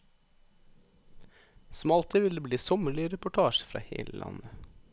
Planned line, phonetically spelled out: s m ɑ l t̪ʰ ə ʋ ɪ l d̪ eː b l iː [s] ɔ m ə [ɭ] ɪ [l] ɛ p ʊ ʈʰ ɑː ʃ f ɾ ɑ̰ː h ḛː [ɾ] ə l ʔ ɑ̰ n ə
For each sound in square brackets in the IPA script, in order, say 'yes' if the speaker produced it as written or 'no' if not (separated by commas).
yes, yes, no, no